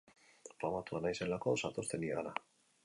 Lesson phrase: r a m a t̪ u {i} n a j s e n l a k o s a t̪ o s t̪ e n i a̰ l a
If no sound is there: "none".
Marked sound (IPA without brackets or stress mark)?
a